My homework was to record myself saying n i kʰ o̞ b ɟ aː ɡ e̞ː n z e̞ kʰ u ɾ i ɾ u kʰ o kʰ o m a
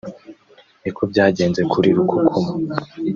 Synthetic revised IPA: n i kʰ o̞ b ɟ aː ɟ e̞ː n z e̞ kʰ u ɾ i ɾ u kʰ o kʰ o m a

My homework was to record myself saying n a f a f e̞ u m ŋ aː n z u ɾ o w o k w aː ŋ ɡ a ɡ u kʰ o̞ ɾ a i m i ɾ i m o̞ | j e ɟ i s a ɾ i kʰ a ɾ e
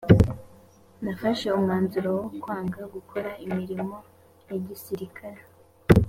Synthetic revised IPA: n a f a ʃ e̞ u m ŋ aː n z u ɾ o w o k w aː ŋ ɡ a ɡ u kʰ o̞ ɾ a i m i ɾ i m o̞ | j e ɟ i s i ɾ i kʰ a ɾ e

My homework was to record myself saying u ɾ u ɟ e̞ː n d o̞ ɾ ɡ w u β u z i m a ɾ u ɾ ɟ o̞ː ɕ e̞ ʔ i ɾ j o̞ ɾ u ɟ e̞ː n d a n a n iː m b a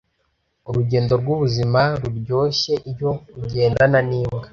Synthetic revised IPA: u ɾ u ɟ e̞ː n d o̞ ɾ ɡ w u β u z i m a ɾ u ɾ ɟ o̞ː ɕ e̞ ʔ i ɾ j o̞ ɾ u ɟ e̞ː n d a n a n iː m ɡ a

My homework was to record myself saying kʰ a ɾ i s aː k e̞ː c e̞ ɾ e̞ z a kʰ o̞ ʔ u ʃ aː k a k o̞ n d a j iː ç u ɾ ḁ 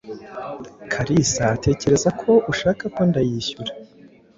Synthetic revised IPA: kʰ a ɾ i s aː t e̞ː c e̞ ɾ e̞ z a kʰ o̞ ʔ u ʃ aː k a k o̞ n d a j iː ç u ɾ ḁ

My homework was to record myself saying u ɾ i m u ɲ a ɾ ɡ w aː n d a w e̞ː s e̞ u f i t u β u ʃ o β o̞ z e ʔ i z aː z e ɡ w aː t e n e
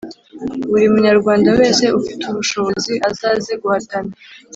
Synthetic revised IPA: u ɾ i m u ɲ a ɾ ɡ w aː n d a w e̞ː s e̞ u f i t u β u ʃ o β o̞ z i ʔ a z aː z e ɡ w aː t a n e

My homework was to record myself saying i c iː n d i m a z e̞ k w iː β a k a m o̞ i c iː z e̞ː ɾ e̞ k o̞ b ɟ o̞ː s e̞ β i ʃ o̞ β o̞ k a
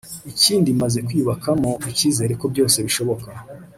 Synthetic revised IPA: i c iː n d i m a z e̞ k w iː β a k a m o̞ i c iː z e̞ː ɾ e̞ k o̞ b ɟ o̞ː s e̞ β i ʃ o̞ β o̞ k a

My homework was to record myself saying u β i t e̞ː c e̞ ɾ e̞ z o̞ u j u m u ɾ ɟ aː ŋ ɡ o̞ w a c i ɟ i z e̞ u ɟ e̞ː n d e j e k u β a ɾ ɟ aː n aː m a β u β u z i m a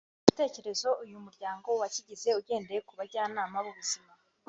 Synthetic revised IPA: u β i t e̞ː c e̞ ɾ e̞ z o̞ u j u m u ɾ ɟ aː ŋ ɡ o̞ w a c i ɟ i z e̞ u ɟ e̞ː n d e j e k u β a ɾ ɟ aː n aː m a β u β u z i m a

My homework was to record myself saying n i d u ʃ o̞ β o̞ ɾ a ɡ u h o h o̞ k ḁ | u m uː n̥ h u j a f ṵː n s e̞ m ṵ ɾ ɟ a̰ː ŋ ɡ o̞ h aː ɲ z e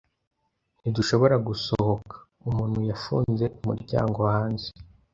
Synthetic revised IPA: n i d u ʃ o̞ β o̞ ɾ a ɡ u s o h o̞ k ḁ | u m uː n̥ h u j a f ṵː n z e̞ m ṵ ɾ ɟ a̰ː ŋ ɡ o̞ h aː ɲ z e

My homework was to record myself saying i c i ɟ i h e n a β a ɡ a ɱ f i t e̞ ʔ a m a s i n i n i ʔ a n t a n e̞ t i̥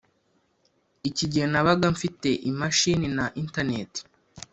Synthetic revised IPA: i c i ɟ i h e n a β a ɡ a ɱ f i t e̞ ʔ i m a ʃ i n i n a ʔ i n t a n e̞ t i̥

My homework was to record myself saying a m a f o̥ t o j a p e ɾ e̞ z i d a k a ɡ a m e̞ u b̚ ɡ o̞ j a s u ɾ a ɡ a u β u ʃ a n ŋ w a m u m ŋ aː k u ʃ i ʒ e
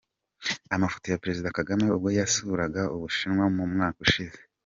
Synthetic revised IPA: a m a f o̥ t o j a p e ɾ e̞ z i d a k a ɡ a m e̞ u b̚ ɡ o̞ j a s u ɾ a ɡ a u β u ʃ i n ŋ w a m u m ŋ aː k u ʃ i z e

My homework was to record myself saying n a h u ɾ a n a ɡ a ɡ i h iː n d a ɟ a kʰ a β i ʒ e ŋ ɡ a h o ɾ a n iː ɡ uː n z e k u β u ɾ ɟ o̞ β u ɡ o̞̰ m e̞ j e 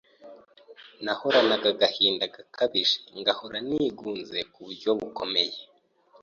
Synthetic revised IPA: n a h o ɾ a n a ɡ a ɡ a h iː n d a ɡ a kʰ a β i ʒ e ŋ ɡ a h o ɾ a n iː ɡ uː n z e k u β u ɾ ɟ o̞ β u k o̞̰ m e̞ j e

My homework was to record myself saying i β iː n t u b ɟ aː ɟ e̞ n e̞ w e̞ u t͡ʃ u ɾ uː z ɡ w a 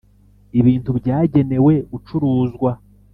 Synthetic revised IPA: i β iː n t u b ɟ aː ɟ e̞ n e̞ w e̞ u t͡ʃ u ɾ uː z ɡ w a

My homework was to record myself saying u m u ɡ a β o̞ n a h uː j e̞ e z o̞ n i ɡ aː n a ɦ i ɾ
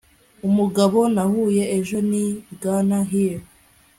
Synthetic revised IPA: u m u ɡ a β o̞ n a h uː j e̞ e ʒ o̞ n i ɡ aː n a ɦ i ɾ

